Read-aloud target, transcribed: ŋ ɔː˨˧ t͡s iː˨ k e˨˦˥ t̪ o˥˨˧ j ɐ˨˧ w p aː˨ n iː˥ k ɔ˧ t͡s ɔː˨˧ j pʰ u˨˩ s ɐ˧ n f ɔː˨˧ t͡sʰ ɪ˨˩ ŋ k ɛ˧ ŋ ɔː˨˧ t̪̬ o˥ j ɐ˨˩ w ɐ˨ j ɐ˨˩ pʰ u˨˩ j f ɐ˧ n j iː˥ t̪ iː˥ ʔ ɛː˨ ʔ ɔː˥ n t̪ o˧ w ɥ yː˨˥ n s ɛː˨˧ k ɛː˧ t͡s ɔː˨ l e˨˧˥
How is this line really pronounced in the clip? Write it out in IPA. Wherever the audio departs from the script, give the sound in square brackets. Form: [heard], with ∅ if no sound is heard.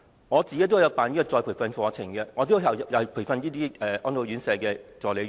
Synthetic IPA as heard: ŋ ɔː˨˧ t͡s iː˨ k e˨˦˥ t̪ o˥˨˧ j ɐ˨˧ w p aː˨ n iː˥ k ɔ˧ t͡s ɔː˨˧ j pʰ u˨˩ [f] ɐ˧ n f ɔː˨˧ t͡sʰ ɪ˨˩ ŋ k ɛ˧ ŋ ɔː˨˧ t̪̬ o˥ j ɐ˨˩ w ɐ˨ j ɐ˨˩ pʰ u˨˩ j f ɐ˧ n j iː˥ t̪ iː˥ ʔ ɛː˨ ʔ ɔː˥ n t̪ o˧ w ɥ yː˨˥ n s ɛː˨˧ k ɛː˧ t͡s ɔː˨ l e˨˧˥